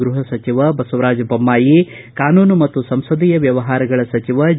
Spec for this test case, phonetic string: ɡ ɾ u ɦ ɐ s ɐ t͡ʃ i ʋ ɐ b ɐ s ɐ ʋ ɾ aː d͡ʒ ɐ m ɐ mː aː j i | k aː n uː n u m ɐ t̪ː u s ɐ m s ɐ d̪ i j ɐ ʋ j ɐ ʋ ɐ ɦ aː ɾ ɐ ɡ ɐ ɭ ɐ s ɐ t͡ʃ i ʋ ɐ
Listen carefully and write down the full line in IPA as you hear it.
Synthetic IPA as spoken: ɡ ɾ u ɦ ɐ s ɐ t͡ʃ i ʋ ɐ b ɐ s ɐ ʋ ɾ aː d͡ʒ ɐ b ɐ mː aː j i | k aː n uː n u m ɐ t̪ː u s ɐ m s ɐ d̪ i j ɐ ʋ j ɐ ʋ ɐ ɦ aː ɾ ɐ ɡ ɐ ɭ ɐ s ɐ t͡ʃ i ʋ ɐ